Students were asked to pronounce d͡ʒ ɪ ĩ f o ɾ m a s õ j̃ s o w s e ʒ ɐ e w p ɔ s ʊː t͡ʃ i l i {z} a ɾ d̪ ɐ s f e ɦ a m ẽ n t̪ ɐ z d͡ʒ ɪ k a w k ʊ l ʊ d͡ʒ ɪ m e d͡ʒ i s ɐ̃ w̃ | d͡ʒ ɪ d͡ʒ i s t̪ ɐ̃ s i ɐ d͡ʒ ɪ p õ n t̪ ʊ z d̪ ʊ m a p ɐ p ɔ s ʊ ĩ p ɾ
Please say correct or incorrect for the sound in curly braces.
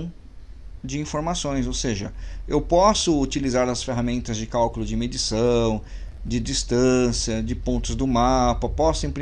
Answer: correct